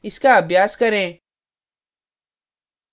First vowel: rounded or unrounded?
unrounded